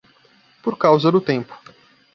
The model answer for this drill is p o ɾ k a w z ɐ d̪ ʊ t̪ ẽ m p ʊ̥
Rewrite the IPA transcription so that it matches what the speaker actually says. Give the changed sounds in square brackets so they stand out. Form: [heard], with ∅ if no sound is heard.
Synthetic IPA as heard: p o ɾ k a w z ɐ d̪ ʊ t̪ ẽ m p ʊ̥